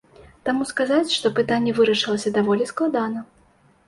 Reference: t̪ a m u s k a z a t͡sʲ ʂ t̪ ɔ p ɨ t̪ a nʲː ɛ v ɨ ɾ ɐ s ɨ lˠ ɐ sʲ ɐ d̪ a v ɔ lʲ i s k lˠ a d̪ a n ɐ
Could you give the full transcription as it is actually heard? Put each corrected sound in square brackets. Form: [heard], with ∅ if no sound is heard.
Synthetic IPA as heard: t̪ a m u s k a z a t͡sʲ ʂ t̪ ɔ p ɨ t̪ a nʲː ɛ v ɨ ɾ ɐ [ʂ] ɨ lˠ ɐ sʲ ɐ d̪ a v ɔ lʲ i s k lˠ a d̪ a n ɐ

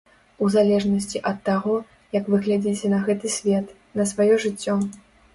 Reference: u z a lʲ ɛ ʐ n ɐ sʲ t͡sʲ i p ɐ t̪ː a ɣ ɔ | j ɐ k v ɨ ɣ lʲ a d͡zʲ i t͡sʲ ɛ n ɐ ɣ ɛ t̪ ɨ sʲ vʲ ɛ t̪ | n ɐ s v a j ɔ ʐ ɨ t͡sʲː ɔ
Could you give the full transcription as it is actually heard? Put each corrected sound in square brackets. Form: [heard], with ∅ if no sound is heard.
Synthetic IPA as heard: u z a lʲ ɛ ʐ n ɐ sʲ t͡sʲ i [ʔ] ɐ t̪ː a ɣ ɔ | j ɐ k v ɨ ɣ lʲ a d͡zʲ i t͡sʲ ɛ n ɐ ɣ ɛ t̪ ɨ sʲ vʲ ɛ t̪ | n ɐ s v a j ɔ ʐ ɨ t͡sʲː ɔ

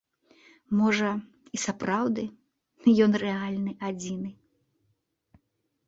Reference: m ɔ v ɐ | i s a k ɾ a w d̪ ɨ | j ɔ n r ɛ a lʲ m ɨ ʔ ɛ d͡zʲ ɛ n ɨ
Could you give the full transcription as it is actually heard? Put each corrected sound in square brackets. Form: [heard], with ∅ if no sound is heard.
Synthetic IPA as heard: m ɔ [ʐ] ɐ | i s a [p] ɾ a w d̪ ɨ | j ɔ n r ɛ a lʲ [n] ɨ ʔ [a] d͡zʲ [i] n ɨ

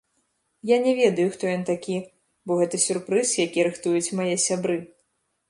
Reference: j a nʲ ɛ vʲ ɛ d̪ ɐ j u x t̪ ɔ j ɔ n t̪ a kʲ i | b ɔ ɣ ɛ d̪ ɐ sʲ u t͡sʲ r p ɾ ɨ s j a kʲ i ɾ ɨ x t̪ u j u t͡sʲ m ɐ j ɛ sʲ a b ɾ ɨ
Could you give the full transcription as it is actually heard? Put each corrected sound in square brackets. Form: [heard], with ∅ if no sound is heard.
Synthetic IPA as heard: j a nʲ ɛ vʲ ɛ d̪ ɐ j u x t̪ ɔ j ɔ n t̪ a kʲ i | b ɔ ɣ ɛ [t̪] ɐ sʲ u [∅] r p ɾ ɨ s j a kʲ i ɾ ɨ x t̪ u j u t͡sʲ m [a] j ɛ sʲ a b ɾ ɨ

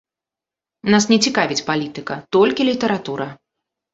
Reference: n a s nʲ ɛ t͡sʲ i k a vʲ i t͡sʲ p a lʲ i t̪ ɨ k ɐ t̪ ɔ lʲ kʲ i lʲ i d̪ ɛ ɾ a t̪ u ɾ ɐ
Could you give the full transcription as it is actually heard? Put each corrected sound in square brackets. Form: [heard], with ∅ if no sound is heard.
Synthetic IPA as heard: n a s nʲ ɛ t͡sʲ i k a vʲ i t͡sʲ p a lʲ i t̪ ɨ k ɐ t̪ ɔ lʲ kʲ i lʲ i [t̪] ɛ ɾ a t̪ u ɾ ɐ

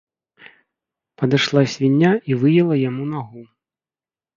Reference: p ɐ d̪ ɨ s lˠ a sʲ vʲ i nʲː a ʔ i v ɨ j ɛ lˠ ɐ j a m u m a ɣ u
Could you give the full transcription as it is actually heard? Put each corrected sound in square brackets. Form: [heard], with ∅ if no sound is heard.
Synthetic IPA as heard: p ɐ d̪ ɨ [ʂ] lˠ a sʲ vʲ i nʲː a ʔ i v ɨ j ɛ lˠ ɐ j a m u [n] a ɣ u

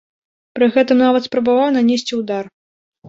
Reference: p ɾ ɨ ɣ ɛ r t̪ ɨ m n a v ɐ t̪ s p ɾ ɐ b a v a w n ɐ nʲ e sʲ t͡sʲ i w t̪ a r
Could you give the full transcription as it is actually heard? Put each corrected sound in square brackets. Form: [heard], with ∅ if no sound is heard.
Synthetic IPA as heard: p ɾ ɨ ɣ ɛ [∅] t̪ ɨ m n a v ɐ t̪ s p ɾ ɐ b a v a w n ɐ nʲ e sʲ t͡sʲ i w [d̪] a r

